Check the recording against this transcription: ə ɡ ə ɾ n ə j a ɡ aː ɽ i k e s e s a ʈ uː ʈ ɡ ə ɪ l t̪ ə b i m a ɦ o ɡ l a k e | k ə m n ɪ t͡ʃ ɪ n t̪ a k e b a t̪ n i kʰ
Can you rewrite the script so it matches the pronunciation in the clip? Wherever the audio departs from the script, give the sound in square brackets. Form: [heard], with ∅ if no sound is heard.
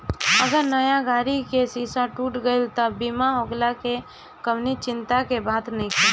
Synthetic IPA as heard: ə ɡ ə ɾ n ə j a ɡ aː [ɾ] i k e s [i] s a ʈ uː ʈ ɡ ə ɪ l t̪ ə b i m a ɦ o ɡ l a k e | k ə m n [i] t͡ʃ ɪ n t̪ a k e b a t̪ n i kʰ